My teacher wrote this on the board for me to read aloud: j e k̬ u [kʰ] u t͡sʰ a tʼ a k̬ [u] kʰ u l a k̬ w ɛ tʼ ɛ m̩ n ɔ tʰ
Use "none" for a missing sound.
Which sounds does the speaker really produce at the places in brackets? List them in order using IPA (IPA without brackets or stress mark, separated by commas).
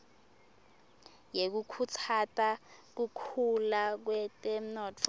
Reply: kʰ, u